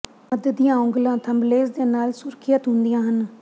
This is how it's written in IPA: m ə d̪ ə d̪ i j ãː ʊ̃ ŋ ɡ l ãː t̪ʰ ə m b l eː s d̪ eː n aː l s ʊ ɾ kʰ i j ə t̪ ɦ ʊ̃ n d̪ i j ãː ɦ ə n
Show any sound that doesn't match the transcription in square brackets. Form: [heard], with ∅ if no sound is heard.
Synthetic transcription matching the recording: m ə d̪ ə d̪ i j ãː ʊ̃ ŋ ɡ l ãː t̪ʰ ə m b l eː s d̪ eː n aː l s ʊ ɾ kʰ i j ə t̪ ɦ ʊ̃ n d̪ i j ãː ɦ ə n